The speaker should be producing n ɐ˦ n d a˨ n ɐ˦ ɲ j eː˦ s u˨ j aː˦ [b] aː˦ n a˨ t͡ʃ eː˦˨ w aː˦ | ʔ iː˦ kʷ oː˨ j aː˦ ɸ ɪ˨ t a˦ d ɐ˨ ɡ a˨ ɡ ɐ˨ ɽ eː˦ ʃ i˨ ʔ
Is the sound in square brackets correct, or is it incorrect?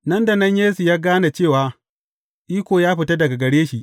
incorrect